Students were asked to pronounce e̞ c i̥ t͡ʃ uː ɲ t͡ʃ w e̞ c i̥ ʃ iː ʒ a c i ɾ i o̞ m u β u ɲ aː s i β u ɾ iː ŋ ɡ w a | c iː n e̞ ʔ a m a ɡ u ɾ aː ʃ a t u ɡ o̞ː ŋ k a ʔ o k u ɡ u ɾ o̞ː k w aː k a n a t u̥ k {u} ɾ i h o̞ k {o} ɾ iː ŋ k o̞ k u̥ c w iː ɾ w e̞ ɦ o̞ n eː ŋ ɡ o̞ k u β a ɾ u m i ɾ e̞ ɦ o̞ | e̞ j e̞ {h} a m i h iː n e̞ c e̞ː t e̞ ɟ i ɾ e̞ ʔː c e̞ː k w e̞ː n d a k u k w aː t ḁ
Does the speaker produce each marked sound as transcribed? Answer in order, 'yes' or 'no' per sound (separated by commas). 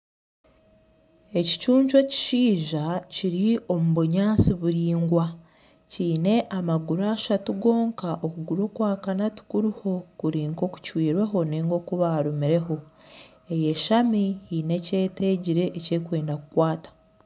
yes, no, no